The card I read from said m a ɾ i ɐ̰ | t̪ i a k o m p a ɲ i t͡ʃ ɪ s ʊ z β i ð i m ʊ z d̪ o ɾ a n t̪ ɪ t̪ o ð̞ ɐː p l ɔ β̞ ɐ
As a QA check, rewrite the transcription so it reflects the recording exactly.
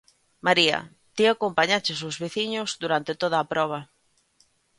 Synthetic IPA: m a ɾ i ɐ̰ | t̪ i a k o m p a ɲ a t͡ʃ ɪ s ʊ z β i θ i ɲ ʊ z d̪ u ɾ a n t̪ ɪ t̪ o ð̞ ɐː p ɾ ɔ β̞ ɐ